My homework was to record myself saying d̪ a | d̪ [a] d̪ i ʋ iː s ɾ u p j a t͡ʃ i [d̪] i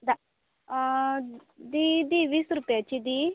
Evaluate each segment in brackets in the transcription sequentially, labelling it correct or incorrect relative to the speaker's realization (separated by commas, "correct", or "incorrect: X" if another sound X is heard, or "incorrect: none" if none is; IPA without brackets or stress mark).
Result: incorrect: i, correct